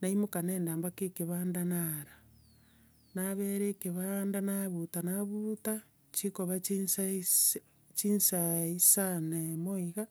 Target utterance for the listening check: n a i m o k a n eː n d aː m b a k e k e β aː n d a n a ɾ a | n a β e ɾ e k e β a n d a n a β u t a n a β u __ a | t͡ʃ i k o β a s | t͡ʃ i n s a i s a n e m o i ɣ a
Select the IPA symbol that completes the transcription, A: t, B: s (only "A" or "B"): A